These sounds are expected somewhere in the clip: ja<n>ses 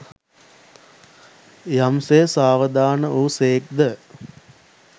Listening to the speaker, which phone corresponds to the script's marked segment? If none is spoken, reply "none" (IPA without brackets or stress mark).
m